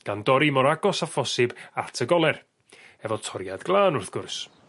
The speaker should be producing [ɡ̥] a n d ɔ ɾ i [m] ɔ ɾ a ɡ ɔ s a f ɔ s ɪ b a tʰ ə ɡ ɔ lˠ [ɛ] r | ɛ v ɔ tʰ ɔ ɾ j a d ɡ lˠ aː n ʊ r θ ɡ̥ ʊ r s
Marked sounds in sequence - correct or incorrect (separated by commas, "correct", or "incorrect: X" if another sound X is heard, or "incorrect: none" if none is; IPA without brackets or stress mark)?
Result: correct, correct, correct